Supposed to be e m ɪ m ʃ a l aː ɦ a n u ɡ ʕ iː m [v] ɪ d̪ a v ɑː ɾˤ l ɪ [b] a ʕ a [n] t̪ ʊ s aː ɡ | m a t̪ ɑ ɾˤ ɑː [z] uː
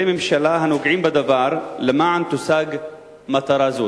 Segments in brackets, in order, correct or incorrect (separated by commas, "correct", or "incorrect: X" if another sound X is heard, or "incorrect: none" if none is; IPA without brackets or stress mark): incorrect: b, incorrect: m, correct, correct